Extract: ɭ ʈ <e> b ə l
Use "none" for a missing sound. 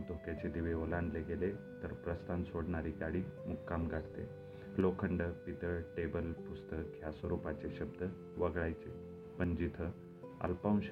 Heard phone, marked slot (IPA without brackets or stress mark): e